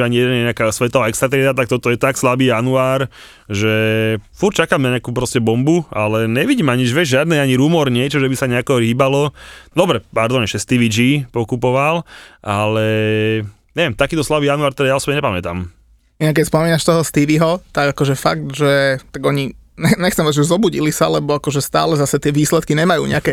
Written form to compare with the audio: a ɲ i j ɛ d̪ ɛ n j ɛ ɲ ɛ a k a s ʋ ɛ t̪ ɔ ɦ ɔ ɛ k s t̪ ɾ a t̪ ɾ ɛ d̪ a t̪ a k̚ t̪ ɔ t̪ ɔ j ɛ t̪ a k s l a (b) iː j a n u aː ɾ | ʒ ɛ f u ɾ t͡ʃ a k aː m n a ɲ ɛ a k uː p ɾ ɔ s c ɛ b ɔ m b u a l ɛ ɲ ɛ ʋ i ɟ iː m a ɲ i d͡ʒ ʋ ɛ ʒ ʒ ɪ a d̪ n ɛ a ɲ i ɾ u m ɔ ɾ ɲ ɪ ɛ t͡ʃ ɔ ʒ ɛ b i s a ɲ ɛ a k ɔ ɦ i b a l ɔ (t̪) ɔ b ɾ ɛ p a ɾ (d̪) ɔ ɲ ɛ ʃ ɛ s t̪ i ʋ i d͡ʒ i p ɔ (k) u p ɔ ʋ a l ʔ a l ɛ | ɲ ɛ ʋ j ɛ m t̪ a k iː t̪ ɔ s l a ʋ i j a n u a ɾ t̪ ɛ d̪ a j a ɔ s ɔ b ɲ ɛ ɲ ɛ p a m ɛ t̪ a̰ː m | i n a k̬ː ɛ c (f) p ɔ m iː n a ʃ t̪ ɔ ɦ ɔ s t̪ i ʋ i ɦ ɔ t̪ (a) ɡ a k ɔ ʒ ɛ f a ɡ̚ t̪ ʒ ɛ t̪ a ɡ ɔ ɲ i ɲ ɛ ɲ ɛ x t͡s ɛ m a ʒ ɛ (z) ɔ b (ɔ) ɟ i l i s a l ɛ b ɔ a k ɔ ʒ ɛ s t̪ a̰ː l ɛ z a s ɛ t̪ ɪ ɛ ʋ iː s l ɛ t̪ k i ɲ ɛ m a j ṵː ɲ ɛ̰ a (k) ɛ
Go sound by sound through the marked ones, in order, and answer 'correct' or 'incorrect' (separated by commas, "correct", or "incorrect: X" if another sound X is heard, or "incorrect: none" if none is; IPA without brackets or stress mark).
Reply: correct, incorrect: d̪, correct, correct, incorrect: s, correct, correct, incorrect: u, correct